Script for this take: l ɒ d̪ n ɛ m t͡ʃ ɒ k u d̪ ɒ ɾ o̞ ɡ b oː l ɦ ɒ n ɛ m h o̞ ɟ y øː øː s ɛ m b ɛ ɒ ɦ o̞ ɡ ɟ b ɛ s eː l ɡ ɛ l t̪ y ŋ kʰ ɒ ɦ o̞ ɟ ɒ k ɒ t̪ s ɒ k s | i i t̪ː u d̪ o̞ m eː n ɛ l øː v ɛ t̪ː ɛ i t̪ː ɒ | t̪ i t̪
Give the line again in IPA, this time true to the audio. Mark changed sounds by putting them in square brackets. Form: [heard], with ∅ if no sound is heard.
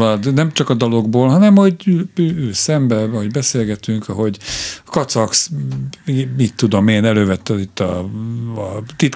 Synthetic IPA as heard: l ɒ d̪ n ɛ m t͡ʃ ɒ k [ɒ] d̪ ɒ [l] o̞ ɡ b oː l ɦ ɒ n ɛ m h o̞ ɟ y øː øː s ɛ m b ɛ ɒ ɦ o̞ [∅] ɟ b ɛ s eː l ɡ ɛ [∅] t̪ y ŋ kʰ ɒ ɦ o̞ ɟ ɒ k ɒ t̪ s ɒ k s | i i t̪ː u d̪ o̞ m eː n ɛ l øː v ɛ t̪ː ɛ i t̪ː ɒ | t̪ i t̪